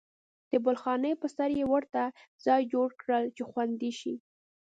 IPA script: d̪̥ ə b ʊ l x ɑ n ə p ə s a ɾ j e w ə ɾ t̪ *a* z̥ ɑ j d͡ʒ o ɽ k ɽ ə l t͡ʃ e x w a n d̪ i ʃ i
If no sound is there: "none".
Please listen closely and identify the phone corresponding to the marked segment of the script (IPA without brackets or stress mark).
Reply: a